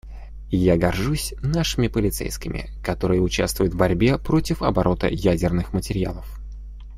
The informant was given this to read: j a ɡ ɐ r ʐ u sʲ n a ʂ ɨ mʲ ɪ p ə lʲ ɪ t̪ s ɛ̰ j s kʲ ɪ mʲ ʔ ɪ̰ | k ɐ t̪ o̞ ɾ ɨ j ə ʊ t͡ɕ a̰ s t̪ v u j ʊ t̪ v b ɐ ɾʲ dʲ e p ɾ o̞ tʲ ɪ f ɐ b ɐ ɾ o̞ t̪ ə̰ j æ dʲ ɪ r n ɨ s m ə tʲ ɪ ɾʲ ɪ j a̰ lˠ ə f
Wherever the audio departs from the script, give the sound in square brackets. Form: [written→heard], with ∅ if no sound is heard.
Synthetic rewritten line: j a ɡ ɐ r ʐ u sʲ n a ʂ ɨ mʲ ɪ p ə lʲ ɪ t̪ s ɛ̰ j s kʲ ɪ mʲ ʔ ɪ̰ | k ɐ t̪ o̞ ɾ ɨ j ə ʊ t͡ɕ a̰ s t̪ v [u→ʊ] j ʊ t̪ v b ɐ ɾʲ [dʲ→bʲ] e p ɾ o̞ tʲ ɪ f ɐ b ɐ ɾ o̞ t̪ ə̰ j æ dʲ ɪ r n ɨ [s→x] m ə tʲ ɪ ɾʲ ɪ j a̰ lˠ ə f